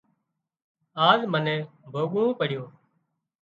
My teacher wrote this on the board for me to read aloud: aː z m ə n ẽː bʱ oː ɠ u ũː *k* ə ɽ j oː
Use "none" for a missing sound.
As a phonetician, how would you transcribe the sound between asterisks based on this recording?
p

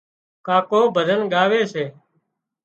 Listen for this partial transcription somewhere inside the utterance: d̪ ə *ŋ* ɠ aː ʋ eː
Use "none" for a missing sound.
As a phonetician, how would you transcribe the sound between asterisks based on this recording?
n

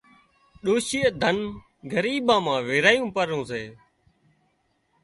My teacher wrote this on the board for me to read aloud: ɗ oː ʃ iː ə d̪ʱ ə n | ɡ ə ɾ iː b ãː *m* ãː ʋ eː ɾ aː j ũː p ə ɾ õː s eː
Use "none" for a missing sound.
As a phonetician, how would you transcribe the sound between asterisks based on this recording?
m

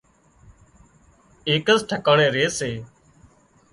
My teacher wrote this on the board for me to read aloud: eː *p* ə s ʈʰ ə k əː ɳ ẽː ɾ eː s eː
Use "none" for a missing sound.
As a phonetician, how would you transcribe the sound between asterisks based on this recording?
k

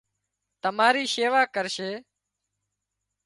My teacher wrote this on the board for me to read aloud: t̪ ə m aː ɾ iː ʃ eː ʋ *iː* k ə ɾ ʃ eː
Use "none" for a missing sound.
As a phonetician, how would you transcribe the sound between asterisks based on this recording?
aː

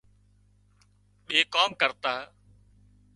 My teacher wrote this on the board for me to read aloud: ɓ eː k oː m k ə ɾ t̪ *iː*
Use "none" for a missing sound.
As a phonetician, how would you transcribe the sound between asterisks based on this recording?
aː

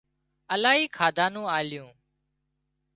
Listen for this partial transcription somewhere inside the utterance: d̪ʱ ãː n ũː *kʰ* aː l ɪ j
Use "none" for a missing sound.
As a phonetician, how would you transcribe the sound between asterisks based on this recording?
none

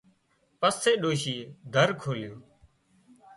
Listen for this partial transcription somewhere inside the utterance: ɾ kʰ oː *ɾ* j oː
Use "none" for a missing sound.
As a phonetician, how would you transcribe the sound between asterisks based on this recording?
l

